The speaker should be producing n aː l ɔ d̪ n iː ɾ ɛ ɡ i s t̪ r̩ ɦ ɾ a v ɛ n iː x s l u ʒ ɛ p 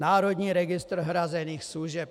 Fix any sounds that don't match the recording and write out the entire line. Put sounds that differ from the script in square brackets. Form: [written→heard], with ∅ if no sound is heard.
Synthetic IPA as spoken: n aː [l→ɾ] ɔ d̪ [n→ɲ] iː ɾ ɛ ɡ i s t̪ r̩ ɦ ɾ a [v→z] ɛ n iː x s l u ʒ ɛ p